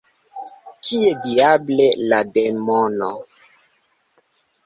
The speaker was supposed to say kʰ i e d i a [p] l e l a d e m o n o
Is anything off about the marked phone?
yes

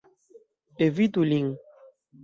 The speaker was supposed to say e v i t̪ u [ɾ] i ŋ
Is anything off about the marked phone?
yes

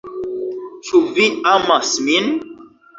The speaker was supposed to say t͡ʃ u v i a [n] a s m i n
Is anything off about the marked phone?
yes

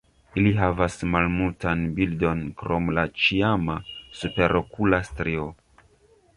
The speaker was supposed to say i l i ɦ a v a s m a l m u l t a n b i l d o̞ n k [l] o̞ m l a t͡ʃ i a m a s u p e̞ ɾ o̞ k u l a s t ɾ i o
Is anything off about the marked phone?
yes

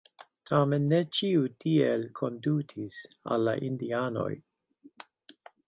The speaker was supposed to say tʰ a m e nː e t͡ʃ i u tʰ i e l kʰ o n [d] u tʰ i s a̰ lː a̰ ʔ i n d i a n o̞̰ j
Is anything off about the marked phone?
no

